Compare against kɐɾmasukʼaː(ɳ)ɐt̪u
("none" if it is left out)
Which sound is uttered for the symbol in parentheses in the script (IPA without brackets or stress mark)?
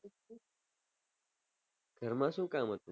m